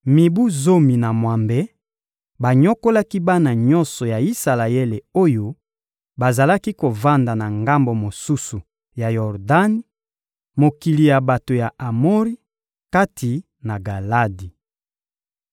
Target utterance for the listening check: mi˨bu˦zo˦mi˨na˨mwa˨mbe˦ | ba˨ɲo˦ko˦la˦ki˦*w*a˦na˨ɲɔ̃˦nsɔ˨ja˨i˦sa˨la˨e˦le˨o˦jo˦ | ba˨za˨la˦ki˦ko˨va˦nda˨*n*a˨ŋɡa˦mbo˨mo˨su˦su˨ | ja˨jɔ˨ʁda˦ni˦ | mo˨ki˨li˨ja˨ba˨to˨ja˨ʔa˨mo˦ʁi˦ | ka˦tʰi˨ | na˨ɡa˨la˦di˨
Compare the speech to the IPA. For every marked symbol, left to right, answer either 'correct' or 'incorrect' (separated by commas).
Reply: incorrect, correct